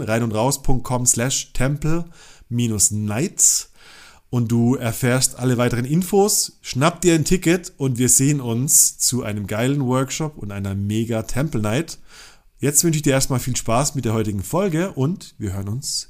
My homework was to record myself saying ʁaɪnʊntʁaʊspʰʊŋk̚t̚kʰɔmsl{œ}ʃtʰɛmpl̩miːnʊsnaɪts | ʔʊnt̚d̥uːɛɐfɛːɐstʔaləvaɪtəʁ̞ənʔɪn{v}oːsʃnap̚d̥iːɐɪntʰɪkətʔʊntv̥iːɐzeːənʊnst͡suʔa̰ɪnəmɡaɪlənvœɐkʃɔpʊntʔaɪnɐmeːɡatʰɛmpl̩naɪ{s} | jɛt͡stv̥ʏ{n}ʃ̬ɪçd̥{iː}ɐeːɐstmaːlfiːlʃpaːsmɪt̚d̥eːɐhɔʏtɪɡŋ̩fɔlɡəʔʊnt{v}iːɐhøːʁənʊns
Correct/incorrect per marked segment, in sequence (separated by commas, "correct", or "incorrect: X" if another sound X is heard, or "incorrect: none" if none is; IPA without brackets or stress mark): incorrect: ɛ, incorrect: f, incorrect: t, correct, correct, correct